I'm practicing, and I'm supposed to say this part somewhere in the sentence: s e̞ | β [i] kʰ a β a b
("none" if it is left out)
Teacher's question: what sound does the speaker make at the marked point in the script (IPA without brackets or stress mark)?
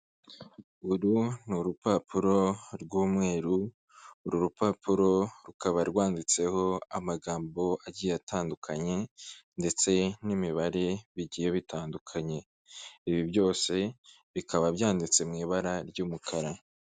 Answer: i